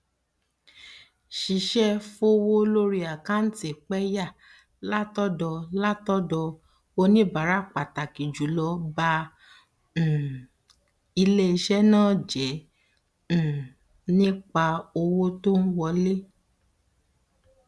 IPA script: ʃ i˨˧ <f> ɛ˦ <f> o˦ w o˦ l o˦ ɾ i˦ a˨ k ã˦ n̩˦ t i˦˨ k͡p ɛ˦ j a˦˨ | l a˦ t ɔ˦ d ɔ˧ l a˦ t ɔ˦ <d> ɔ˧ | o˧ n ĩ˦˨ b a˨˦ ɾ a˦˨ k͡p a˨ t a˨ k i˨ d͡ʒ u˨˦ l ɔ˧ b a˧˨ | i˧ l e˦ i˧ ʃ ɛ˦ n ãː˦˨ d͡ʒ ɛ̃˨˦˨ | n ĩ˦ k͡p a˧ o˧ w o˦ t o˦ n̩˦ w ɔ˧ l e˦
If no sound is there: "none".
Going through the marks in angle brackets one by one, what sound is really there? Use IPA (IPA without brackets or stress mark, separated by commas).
ʃ, f, d